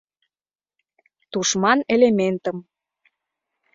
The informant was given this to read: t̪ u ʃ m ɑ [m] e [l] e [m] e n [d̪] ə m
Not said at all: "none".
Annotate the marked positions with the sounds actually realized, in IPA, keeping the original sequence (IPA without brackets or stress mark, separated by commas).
n, l, m, t̪